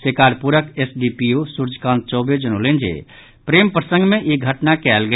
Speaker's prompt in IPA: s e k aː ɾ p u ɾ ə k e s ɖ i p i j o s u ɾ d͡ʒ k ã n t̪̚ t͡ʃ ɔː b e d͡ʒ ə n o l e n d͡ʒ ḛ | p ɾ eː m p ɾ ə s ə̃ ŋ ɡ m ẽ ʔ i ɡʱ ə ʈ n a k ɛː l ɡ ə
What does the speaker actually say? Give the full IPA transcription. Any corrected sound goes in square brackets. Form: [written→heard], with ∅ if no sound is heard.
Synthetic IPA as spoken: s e k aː ɾ p u ɾ ə k e s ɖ i p i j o s u ɾ d͡ʒ k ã n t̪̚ t͡ʃ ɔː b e d͡ʒ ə n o l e n d͡ʒ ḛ | p ɾ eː m p ɾ ə s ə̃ ŋ ɡ m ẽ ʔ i ɡʱ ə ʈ n a k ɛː l ɡ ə